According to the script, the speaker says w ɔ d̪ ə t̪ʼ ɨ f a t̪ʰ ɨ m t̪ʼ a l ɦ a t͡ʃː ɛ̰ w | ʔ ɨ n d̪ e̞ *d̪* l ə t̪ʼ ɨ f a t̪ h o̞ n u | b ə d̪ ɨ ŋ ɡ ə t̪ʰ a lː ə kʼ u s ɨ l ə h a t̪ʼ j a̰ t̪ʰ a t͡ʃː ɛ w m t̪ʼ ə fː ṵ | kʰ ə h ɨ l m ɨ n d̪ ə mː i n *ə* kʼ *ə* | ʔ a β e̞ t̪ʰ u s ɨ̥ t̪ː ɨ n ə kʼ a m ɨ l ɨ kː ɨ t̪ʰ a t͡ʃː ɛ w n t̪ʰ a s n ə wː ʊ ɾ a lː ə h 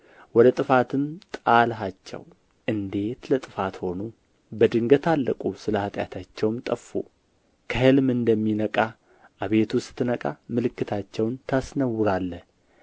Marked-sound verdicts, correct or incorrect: incorrect: t̪, correct, incorrect: a

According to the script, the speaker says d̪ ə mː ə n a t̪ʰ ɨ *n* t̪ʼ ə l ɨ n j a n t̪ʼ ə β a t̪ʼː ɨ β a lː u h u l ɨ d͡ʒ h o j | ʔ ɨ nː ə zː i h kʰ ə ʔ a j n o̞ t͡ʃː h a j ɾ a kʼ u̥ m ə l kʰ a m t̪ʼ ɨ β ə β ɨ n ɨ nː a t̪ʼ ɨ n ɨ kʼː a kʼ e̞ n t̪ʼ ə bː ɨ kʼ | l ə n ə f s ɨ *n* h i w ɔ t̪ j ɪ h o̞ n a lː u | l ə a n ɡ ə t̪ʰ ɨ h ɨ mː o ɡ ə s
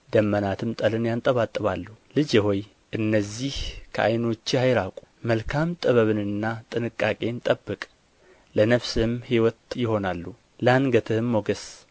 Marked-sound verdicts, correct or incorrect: incorrect: m, incorrect: m

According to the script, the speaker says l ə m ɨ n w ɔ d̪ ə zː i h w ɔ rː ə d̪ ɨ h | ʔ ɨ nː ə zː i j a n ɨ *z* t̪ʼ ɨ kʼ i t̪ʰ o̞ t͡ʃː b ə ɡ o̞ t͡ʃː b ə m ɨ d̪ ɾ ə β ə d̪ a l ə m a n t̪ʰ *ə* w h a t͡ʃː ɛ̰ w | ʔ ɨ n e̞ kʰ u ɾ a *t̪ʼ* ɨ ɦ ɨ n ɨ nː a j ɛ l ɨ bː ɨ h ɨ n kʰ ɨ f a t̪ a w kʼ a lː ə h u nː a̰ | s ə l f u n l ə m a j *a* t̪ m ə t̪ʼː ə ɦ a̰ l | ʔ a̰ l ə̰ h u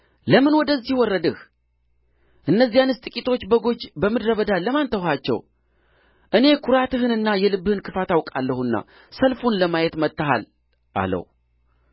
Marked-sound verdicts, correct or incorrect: incorrect: s, correct, incorrect: t̪, incorrect: ɛ

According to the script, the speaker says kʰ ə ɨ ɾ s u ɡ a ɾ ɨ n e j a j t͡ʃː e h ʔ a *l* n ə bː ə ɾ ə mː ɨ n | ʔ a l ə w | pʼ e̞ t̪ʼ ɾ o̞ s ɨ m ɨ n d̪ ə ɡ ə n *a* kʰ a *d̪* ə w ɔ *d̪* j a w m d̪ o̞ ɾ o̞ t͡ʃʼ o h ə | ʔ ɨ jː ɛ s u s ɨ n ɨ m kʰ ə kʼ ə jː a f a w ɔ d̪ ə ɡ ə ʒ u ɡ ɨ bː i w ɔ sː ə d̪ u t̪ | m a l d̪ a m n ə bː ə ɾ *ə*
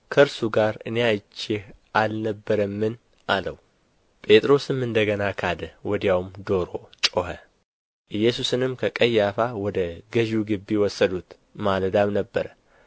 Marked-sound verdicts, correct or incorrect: correct, correct, correct, correct, correct

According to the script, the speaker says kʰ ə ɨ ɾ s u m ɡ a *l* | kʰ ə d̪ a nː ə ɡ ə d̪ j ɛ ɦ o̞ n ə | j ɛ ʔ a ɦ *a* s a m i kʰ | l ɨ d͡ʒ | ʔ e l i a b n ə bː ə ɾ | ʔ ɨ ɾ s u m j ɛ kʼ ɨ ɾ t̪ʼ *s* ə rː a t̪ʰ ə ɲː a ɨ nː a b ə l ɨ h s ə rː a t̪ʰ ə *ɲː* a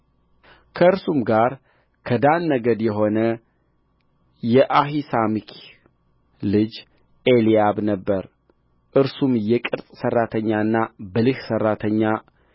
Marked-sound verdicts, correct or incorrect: incorrect: ɾ, incorrect: i, correct, correct

